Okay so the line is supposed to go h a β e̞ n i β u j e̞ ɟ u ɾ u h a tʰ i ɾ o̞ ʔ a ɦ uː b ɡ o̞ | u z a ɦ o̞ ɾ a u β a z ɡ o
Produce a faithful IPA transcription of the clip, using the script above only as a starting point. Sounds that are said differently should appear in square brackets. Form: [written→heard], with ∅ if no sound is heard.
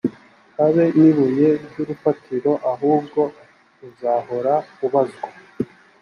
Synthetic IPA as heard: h a β e̞ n i β u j e̞ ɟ u ɾ u [h→f] a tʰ i ɾ o̞ ʔ a ɦ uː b ɡ o̞ | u z a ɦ o̞ ɾ a u β a z ɡ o